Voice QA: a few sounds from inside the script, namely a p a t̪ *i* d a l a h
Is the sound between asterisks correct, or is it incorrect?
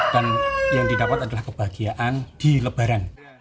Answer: incorrect: a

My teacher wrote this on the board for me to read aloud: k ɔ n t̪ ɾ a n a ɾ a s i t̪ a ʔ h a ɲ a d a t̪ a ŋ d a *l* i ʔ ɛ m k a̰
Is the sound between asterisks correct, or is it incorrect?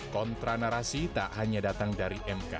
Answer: incorrect: ɾ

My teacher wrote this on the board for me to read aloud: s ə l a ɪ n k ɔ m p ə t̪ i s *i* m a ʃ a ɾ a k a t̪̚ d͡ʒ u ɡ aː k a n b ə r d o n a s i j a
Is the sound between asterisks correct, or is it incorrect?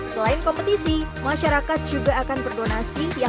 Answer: correct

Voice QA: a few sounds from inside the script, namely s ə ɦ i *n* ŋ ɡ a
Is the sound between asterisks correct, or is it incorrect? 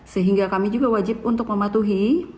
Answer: incorrect: none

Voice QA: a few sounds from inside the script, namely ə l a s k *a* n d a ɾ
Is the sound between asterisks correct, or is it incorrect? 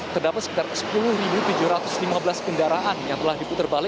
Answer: incorrect: ə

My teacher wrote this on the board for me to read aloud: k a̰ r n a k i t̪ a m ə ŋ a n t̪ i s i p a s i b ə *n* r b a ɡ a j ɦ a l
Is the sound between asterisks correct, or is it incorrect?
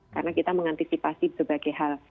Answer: incorrect: none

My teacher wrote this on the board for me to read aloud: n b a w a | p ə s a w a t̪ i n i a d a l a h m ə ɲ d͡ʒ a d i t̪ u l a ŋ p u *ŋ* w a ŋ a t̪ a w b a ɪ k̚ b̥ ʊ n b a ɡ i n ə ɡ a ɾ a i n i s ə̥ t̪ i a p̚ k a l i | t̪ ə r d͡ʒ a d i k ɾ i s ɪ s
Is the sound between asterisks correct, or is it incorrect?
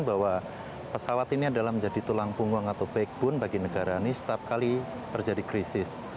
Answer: correct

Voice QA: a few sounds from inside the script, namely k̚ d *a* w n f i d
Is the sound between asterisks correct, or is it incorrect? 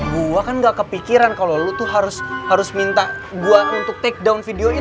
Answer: correct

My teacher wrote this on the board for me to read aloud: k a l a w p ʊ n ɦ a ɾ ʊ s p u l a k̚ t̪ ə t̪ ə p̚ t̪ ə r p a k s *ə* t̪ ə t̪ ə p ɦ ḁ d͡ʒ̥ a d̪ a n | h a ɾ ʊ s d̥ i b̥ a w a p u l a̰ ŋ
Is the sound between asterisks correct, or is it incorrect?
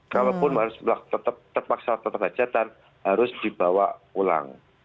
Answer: incorrect: a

